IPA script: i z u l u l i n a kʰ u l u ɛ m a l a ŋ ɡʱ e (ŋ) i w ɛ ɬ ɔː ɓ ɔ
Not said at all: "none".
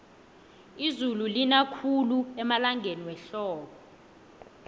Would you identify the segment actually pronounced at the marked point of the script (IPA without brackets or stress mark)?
n